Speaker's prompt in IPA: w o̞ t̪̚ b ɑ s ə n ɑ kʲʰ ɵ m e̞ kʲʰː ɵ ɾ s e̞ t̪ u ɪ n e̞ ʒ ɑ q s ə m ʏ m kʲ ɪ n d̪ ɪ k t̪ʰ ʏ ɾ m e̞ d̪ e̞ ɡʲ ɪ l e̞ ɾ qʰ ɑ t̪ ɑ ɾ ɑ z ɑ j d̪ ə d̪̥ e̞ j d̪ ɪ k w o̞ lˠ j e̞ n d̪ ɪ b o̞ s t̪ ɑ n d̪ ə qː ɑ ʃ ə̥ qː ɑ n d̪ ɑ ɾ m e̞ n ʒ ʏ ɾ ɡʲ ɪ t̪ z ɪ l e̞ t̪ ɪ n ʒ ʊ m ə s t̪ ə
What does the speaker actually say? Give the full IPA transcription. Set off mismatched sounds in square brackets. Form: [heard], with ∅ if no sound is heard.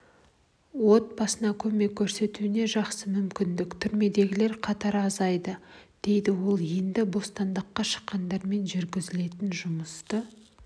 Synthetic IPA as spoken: w o̞ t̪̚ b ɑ s ə n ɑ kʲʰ ɵ m e̞ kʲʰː ɵ ɾ s e̞ t̪ u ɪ n e̞ ʒ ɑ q s ə m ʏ m kʲ ɪ n d̪ ɪ k t̪ʰ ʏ ɾ m e̞ d̪ e̞ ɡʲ ɪ l e̞ ɾ qʰ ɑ t̪ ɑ ɾ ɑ z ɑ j d̪ ə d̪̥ e̞ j d̪ ɪ [∅] w o̞ lˠ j e̞ n d̪ ɪ b o̞ s t̪ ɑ n d̪ ə qː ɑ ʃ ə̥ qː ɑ n d̪ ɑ ɾ m e̞ n ʒ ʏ ɾ ɡʲ ɪ [∅] z ɪ l e̞ t̪ ɪ n ʒ ʊ m ə s t̪ ə

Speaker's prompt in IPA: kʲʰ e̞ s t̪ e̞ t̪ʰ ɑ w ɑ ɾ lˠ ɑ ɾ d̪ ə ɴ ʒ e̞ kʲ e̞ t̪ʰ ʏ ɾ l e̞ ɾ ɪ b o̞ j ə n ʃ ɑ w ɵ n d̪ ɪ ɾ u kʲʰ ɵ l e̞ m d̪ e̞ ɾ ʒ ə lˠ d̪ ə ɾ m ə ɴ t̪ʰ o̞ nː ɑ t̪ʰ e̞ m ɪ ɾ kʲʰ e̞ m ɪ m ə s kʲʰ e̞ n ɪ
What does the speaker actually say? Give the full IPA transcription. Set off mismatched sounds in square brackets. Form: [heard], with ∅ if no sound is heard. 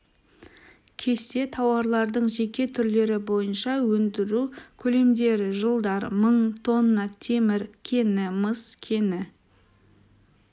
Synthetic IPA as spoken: kʲʰ e̞ s t̪ e̞ t̪ʰ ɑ w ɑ ɾ lˠ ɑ ɾ d̪ ə ɴ ʒ e̞ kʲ e̞ t̪ʰ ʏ ɾ l e̞ ɾ ɪ b o̞ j ə n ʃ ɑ w ɵ n d̪ ɪ ɾ u kʲʰ ɵ l e̞ m d̪ e̞ ɾ ʒ ə lˠ d̪ [ɑ] ɾ m ə ɴ t̪ʰ o̞ nː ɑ t̪ʰ e̞ m ɪ ɾ kʲʰ e̞ [n] ɪ m ə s kʲʰ e̞ n ɪ

